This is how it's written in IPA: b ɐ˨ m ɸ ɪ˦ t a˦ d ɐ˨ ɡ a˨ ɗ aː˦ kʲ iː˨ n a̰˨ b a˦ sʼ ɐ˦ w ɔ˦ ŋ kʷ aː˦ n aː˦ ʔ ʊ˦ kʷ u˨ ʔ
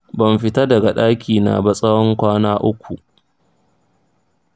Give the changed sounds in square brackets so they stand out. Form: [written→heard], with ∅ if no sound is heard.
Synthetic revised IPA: b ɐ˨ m ɸ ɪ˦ t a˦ d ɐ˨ ɡ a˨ ɗ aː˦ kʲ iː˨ n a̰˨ b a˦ sʼ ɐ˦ w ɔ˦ ŋ kʷ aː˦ n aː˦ ʔ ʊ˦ kʷ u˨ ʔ